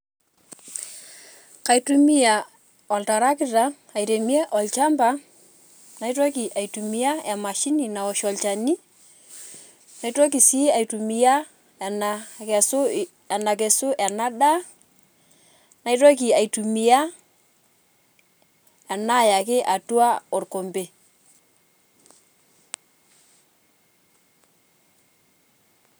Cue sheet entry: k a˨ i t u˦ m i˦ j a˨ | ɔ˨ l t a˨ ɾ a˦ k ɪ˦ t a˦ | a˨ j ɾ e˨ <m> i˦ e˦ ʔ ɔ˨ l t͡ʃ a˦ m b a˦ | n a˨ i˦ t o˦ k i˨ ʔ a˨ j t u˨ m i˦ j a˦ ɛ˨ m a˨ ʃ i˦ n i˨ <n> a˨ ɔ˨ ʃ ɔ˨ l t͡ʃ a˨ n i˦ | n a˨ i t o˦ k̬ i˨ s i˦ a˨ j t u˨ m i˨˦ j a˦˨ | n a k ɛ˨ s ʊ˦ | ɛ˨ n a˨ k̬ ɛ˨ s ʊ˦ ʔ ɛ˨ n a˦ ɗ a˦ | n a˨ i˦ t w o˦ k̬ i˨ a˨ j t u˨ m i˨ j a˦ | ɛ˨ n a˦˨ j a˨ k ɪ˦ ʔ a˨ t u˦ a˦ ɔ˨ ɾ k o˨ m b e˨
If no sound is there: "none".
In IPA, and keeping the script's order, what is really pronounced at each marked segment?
m, n

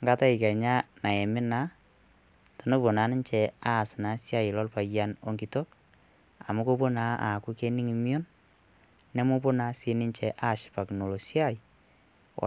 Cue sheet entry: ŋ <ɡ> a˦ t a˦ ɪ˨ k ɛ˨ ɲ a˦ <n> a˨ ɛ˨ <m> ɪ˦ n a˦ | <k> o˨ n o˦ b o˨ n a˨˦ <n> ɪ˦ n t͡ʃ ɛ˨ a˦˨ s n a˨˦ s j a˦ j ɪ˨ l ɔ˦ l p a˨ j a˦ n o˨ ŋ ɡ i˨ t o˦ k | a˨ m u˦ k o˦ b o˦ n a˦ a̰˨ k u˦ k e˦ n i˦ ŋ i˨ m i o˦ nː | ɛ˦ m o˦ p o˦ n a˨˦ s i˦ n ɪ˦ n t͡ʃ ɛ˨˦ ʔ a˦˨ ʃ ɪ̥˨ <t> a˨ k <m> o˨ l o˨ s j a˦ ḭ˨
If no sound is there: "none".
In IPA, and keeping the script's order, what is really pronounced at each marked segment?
ɡ, n, m, t, n, p, n

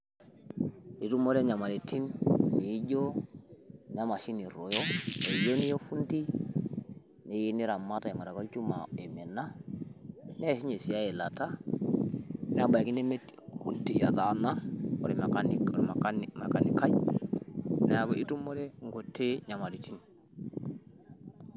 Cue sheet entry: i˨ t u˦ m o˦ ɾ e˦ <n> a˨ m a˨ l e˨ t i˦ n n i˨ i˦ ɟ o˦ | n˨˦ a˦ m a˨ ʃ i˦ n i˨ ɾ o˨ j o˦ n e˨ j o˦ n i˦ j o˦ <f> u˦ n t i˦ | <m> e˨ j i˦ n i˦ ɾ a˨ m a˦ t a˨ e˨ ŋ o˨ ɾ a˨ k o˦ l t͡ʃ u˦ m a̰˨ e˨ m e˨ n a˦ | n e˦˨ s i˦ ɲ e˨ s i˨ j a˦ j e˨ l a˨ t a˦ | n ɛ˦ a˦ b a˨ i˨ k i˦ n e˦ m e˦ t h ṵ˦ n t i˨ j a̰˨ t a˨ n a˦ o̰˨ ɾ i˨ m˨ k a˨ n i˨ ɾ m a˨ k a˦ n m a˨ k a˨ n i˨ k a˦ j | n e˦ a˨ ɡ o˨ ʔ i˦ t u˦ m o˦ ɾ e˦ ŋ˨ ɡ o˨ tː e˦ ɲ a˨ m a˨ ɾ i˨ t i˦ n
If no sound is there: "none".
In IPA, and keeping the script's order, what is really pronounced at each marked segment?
ɲ, f, n

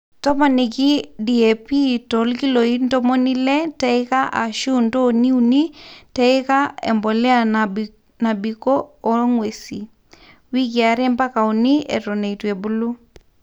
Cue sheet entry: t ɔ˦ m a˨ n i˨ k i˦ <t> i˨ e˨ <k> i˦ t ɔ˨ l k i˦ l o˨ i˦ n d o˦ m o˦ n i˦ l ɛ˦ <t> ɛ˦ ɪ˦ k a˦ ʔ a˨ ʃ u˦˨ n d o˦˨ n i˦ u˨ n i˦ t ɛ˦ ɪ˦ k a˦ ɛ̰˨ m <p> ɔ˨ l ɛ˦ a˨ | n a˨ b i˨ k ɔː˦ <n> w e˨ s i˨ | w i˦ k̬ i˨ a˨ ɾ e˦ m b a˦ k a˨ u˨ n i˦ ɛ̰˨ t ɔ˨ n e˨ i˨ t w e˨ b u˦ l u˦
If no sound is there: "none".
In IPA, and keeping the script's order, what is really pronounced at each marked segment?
d, p, t, b, ŋ

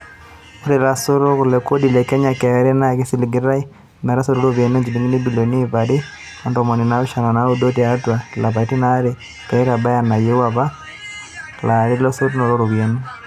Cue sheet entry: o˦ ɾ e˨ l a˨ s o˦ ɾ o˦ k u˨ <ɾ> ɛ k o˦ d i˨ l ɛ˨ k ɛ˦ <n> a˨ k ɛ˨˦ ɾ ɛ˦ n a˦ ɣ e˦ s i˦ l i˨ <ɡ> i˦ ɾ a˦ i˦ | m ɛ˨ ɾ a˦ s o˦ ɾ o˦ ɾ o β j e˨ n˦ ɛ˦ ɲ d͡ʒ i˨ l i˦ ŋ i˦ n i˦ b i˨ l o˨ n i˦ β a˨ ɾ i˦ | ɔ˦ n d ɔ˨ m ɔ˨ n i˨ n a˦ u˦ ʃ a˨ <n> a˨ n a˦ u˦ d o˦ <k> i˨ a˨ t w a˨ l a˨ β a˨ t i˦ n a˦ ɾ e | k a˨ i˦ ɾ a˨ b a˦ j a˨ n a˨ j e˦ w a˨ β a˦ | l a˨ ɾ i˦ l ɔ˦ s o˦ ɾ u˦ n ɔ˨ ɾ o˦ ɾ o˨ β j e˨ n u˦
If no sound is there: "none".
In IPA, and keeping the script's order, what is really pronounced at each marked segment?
l, ɲ, ɡ, n, t

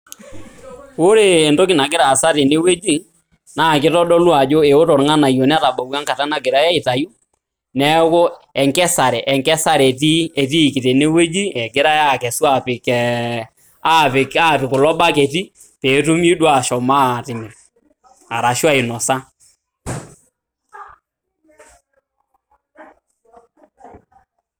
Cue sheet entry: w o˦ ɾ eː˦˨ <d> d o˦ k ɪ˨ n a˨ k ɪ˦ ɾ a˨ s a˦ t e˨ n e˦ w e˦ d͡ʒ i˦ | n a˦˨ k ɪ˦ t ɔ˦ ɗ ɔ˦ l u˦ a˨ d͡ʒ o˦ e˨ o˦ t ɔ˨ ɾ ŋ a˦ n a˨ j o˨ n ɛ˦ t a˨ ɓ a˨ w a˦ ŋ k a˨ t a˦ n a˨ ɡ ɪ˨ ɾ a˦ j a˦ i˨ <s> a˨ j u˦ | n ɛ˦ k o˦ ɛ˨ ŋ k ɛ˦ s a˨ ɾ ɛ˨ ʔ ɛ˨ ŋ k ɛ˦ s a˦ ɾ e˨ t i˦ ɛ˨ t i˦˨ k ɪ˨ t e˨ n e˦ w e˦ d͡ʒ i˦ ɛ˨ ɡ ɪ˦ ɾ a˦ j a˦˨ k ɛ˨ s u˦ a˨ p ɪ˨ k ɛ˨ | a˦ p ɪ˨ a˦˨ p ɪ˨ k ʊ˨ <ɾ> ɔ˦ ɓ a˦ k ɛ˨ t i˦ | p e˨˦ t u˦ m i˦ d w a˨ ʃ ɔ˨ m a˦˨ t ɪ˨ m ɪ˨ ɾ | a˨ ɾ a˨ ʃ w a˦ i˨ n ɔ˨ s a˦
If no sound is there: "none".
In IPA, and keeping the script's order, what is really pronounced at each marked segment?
n, t, l

